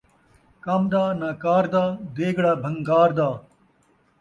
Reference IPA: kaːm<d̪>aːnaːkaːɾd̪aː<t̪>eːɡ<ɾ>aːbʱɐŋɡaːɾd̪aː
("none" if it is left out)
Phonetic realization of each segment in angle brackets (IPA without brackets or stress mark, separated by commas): d̪, d̪, ɽ